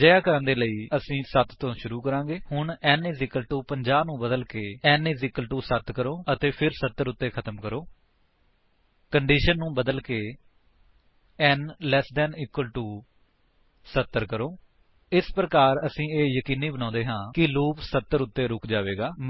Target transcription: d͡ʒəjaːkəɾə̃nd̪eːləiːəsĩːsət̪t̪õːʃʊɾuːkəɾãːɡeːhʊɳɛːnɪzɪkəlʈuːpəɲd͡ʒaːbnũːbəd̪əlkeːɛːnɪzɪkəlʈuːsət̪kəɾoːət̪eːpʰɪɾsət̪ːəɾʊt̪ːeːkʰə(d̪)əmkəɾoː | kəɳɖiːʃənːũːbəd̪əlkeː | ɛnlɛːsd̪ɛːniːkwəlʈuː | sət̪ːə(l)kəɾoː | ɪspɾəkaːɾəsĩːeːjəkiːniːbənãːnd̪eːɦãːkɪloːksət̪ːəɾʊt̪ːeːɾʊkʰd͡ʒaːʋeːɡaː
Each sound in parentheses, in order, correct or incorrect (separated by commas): incorrect, incorrect